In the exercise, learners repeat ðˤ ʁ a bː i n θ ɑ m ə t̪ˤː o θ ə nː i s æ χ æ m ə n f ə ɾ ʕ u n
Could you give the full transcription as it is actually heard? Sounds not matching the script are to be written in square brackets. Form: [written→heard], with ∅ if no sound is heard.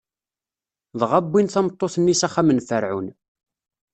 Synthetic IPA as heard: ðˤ ʁ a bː i n θ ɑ m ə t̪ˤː o θ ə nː i s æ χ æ m ə n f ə ɾ ʕ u n

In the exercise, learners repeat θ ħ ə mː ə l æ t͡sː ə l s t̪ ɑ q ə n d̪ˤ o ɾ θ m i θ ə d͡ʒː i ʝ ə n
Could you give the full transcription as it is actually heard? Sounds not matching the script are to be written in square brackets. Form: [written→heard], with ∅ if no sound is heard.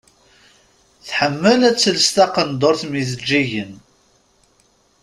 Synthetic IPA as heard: θ ħ ə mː ə l æ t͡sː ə l s t̪ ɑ q ə n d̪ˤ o ɾ θ m i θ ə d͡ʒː i ʝ ə n

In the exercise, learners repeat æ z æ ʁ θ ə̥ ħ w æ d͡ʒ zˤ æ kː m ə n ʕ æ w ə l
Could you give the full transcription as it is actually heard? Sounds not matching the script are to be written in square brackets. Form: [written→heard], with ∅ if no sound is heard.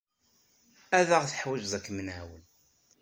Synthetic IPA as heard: æ [z→ð] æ ʁ θ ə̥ ħ w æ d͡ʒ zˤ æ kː m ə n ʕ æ w ə l

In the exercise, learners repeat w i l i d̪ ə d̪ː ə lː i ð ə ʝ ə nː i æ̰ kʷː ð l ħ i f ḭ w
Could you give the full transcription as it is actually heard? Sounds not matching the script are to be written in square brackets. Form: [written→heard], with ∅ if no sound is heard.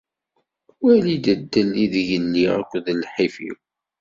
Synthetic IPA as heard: w [i→æ] l i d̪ ə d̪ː ə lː i ð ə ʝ ə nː i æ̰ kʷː ð l ħ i f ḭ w

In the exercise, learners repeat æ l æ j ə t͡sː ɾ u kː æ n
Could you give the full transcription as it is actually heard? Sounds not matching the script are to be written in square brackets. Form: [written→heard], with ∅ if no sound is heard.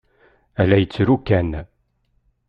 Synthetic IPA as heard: æ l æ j ə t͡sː ɾ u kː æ n

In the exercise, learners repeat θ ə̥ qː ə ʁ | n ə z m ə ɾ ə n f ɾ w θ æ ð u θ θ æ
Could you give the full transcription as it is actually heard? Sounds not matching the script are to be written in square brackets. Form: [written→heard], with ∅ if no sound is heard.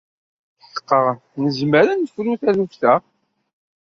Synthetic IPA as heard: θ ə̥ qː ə ʁ | n ə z m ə ɾ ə n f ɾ [w→u] θ æ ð u [θ→f] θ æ

